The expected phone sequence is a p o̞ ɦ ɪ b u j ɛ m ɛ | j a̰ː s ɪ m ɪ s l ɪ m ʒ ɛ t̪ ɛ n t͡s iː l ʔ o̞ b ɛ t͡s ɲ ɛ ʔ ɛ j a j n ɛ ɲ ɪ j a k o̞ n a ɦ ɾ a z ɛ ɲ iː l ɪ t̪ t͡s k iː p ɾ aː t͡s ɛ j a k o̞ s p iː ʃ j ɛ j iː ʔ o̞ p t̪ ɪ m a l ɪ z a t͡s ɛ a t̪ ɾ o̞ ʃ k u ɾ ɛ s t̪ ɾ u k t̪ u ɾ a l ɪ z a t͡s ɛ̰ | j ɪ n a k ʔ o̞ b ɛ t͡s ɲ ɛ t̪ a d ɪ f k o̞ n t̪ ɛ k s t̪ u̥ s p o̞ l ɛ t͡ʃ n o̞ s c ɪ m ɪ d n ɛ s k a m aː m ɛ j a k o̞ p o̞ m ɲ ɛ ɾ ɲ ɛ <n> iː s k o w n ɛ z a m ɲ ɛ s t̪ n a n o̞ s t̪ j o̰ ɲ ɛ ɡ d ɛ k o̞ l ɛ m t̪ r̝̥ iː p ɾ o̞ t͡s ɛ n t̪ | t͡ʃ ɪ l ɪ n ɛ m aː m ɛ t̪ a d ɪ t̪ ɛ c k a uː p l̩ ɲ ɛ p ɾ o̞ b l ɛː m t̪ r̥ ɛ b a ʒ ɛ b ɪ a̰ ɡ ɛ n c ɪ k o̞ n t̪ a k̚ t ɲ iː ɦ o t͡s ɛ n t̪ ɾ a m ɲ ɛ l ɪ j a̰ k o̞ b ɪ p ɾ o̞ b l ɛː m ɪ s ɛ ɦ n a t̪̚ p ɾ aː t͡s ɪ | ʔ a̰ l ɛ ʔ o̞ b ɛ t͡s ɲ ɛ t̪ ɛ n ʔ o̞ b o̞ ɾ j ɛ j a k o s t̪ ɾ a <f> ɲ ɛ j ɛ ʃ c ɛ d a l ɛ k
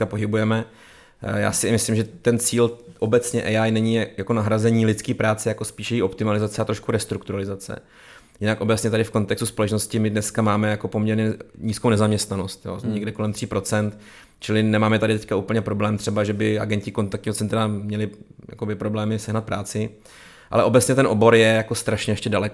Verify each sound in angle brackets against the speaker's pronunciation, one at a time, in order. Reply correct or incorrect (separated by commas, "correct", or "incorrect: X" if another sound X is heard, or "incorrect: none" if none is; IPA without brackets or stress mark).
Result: incorrect: ɲ, incorrect: ʃ